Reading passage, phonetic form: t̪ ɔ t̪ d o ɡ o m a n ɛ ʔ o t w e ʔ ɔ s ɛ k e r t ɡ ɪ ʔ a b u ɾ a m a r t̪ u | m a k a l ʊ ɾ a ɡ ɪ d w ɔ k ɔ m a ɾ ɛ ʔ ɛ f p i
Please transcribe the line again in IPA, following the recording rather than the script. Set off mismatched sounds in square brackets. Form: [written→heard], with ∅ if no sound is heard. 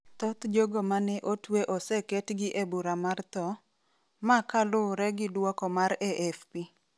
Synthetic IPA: t̪ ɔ t̪ [d→d͡ʒ] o ɡ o m a n ɛ ʔ o t w e ʔ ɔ s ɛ k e [r→∅] t ɡ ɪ ʔ [a→e] b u ɾ a m a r t̪ [u→ɔ] | m a k a l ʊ ɾ [a→ɛ] ɡ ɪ d w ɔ k ɔ m a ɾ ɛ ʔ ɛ f p i